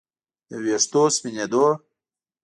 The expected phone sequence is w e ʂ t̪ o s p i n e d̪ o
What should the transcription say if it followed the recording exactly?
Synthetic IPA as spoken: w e ʂ t̪ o s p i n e d̪ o